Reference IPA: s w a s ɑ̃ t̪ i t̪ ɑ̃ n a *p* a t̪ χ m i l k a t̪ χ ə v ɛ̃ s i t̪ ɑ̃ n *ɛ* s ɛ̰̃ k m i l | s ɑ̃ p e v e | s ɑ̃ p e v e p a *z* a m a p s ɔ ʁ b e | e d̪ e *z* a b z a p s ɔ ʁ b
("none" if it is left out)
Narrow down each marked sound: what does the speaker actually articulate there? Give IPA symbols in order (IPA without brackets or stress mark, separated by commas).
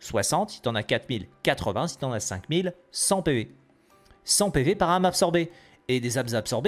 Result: k, a, ʁ, z